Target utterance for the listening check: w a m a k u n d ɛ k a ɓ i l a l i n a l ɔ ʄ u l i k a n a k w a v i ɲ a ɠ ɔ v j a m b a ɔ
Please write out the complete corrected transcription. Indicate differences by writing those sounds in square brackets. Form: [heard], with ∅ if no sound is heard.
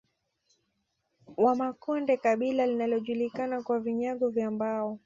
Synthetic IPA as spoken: w a m a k [ɔ] n d ɛ k a ɓ i l a l i n a l ɔ ʄ u l i k a n a k w a v i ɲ a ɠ ɔ v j a m b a ɔ